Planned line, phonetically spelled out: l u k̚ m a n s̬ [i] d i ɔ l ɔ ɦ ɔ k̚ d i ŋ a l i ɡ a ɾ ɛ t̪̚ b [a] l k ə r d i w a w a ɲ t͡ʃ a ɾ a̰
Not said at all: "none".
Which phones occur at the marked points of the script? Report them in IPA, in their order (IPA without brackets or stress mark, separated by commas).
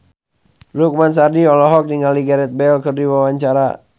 a, ɛ